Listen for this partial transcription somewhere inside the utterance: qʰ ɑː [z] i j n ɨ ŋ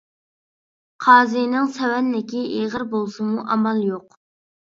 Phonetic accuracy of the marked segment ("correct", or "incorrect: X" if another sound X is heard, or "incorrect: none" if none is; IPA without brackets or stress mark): correct